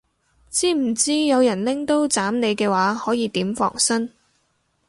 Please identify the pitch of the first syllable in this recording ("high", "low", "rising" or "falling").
high